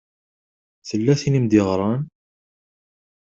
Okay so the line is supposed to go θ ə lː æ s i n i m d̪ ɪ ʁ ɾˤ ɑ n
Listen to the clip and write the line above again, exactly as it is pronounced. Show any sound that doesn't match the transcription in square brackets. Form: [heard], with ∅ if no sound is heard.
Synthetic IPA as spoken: θ ə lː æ [θ] i n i m d̪ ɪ ʁ ɾˤ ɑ n